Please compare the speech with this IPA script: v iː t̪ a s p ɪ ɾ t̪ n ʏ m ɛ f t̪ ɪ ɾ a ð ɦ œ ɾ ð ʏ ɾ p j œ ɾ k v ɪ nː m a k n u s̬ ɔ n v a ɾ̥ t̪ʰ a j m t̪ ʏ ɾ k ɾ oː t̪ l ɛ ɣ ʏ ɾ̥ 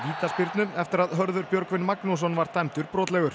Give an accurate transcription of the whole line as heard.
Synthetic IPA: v iː t̪ a s p ɪ ɾ t̪ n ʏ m ɛ f t̪ ɪ ɾ a ð ɦ œ ɾ ð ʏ ɾ p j œ ɾ k v ɪ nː m a k n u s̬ ɔ n v a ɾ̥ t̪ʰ a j m t̪ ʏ ɾ p ɾ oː t̪ l ɛ ɣ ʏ ɾ̥